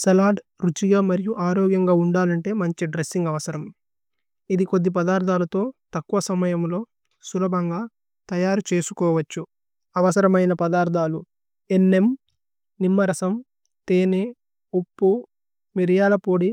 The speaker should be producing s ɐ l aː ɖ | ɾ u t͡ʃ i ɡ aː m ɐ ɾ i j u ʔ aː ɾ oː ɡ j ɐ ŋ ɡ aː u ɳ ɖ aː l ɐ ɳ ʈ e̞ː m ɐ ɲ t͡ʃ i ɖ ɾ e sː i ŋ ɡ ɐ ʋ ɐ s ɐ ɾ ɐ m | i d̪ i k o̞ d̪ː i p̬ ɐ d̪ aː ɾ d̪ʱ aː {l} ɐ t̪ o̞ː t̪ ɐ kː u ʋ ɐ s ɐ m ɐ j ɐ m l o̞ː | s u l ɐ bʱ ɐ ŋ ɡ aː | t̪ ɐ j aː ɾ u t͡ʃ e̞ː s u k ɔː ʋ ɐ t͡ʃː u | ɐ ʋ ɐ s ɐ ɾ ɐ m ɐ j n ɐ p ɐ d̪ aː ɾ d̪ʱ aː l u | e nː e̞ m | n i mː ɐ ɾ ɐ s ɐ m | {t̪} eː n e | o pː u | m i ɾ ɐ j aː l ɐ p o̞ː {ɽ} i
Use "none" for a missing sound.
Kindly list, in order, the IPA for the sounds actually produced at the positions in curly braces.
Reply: l, t̪, ɽ

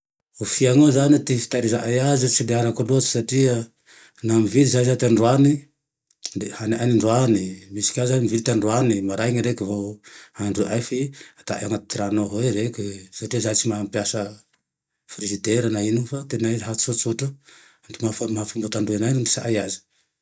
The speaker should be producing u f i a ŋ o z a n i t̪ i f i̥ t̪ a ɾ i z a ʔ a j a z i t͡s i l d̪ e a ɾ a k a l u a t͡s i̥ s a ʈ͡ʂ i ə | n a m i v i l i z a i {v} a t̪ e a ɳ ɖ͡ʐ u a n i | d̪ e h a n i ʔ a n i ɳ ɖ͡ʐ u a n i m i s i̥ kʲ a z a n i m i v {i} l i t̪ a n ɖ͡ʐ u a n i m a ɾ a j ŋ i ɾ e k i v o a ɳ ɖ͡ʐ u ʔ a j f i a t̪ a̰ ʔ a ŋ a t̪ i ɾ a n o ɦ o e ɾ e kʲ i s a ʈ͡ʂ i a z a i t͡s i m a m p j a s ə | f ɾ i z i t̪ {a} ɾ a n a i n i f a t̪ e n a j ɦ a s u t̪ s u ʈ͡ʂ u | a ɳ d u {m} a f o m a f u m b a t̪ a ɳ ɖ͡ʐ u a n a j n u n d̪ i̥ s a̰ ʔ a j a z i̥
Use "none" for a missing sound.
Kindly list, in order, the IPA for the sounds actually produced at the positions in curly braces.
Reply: z, i, e, m

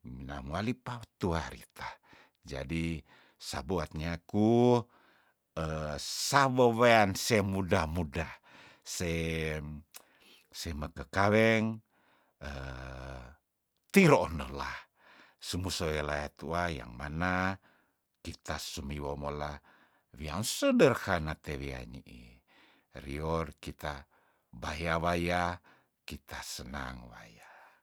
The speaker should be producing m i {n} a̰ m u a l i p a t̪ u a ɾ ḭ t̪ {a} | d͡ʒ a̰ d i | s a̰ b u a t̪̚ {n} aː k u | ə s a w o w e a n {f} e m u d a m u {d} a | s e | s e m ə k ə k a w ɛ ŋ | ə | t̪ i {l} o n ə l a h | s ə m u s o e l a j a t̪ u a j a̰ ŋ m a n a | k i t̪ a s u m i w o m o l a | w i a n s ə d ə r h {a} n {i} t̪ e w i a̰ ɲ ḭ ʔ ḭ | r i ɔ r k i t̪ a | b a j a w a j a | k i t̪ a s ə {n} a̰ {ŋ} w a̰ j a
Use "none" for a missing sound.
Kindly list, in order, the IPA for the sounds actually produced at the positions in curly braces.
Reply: n, a, ɲ, s, d, ɾ, a, a, n, ŋ

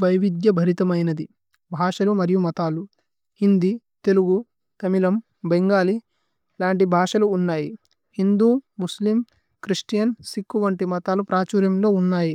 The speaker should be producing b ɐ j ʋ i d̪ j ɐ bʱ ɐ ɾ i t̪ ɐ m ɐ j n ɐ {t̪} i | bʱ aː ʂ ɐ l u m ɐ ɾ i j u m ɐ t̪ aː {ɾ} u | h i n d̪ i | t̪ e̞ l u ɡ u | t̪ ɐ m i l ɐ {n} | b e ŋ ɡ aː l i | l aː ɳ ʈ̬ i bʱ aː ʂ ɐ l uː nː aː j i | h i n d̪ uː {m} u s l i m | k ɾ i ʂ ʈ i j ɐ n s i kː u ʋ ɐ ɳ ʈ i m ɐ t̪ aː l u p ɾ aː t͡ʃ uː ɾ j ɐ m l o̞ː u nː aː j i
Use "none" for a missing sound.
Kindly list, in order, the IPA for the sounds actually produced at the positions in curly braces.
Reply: d̪, l, m, m

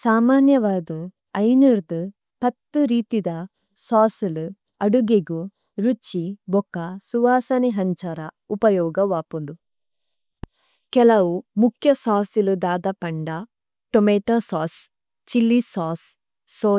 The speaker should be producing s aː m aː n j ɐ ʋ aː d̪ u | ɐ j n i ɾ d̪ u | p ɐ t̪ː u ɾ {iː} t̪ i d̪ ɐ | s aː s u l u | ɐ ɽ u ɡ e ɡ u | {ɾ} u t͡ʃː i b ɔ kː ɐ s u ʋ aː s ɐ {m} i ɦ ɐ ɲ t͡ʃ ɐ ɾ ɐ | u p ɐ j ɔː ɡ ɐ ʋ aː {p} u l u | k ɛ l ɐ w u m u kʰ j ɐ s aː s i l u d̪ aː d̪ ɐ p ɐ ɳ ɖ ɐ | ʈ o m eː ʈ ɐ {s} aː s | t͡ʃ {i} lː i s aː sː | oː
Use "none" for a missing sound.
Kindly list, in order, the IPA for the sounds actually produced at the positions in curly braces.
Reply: iː, ɾ, n, p, s, i

